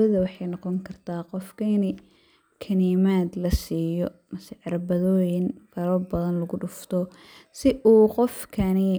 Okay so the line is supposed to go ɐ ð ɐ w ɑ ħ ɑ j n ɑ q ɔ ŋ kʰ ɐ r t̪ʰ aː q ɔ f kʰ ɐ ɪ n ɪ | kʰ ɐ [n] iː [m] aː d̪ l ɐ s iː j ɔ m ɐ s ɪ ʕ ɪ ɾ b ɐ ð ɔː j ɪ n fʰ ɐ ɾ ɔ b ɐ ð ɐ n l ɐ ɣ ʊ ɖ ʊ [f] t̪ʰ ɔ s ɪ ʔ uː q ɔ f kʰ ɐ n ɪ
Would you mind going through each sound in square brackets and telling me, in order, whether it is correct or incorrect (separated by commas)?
correct, correct, correct